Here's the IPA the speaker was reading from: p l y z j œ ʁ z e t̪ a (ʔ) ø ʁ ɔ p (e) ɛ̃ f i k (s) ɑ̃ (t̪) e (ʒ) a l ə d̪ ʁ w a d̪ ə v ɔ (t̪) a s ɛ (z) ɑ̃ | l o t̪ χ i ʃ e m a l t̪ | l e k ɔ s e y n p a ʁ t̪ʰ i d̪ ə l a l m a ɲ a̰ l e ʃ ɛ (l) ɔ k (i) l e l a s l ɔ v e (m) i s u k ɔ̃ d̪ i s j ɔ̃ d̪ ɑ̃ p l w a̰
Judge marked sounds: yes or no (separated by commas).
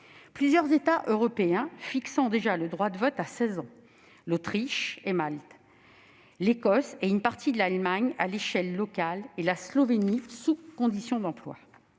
yes, yes, yes, no, yes, yes, yes, no, no, no